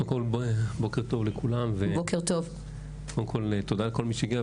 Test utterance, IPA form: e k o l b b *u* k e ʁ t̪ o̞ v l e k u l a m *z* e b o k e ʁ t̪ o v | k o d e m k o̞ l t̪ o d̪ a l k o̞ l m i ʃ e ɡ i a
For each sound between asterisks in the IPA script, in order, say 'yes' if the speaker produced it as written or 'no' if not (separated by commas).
no, no